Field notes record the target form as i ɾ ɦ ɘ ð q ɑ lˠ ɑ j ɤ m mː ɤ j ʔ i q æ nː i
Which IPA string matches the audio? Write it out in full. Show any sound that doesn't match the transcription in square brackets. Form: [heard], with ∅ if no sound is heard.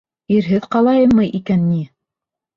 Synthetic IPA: i ɾ ɦ ɘ ð q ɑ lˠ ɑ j ɤ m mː ɤ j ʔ i [k] æ nː i

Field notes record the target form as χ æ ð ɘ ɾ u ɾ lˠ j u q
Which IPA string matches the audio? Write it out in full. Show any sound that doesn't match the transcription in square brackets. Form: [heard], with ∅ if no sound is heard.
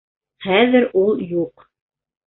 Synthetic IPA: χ æ ð ɘ ɾ u [∅] lˠ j u q

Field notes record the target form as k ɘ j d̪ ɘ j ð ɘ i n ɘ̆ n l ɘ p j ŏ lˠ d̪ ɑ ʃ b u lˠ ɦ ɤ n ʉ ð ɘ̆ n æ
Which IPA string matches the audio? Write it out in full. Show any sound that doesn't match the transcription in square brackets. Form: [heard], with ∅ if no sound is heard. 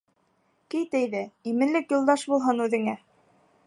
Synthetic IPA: k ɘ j [t̪] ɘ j ð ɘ i [m] ɘ̆ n l ɘ [k] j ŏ lˠ d̪ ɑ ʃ b u lˠ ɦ ɤ n ʉ ð ɘ̆ [ŋ] æ

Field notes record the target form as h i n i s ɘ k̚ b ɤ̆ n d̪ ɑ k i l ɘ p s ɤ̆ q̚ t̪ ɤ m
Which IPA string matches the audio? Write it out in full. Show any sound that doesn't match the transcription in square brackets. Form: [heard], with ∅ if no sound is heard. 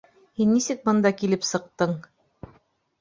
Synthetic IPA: h i [nː] i s ɘ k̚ b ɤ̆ n d̪ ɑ k i l ɘ p s ɤ̆ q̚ t̪ ɤ [ɴ]

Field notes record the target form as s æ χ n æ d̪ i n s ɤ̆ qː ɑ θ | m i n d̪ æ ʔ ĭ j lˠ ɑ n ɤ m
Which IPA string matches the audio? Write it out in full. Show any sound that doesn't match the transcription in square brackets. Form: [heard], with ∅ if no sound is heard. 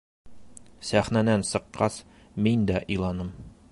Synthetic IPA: s æ χ n æ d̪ [æ] n s ɤ̆ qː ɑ [s] | m i n d̪ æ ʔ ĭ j lˠ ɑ n ɤ m

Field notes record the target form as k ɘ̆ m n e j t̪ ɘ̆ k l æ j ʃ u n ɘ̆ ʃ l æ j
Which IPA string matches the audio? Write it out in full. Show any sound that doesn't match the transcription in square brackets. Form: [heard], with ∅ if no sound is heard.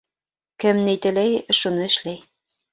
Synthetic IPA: k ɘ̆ m n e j t̪ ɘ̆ [∅] l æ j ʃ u n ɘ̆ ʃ l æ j

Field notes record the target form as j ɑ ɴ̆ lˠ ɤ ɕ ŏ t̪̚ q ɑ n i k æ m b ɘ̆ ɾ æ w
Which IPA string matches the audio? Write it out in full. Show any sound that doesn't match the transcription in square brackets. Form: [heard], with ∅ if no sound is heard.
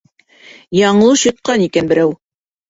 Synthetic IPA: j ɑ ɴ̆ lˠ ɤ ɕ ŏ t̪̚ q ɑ n i k æ [n] b ɘ̆ ɾ æ w

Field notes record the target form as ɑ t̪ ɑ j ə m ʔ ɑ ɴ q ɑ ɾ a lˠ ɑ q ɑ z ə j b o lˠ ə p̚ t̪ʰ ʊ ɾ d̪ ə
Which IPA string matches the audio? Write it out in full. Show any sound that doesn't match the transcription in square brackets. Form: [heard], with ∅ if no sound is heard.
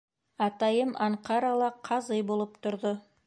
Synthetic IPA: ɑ t̪ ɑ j ə m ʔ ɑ ɴ q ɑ ɾ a lˠ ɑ [qʰ] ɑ z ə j b o lˠ ə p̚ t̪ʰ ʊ ɾ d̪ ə

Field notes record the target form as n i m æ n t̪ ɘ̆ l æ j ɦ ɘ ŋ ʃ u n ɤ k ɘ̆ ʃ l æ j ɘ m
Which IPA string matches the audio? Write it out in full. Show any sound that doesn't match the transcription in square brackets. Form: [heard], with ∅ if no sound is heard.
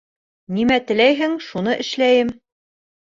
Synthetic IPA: n i m æ [∅] t̪ ɘ̆ l æ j ɦ ɘ ŋ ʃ u n ɤ [ʔ] ɘ̆ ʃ l æ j ɘ m

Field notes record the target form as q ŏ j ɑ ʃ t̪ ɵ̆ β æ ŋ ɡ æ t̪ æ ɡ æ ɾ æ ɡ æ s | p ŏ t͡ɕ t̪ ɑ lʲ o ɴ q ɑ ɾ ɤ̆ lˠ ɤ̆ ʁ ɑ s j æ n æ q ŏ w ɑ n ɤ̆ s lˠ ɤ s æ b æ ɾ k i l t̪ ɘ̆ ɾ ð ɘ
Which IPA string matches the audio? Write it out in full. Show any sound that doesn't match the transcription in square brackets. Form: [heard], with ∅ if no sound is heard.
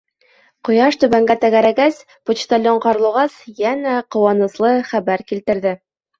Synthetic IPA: q ŏ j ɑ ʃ t̪ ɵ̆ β æ ŋ ɡ æ t̪ æ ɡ æ ɾ æ ɡ æ s | p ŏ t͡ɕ t̪ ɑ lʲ o ɴ q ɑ ɾ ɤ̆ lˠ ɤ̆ ʁ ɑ s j æ n æ q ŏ w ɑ n ɤ̆ s lˠ ɤ [χ] æ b æ ɾ k i l t̪ ɘ̆ ɾ ð ɘ

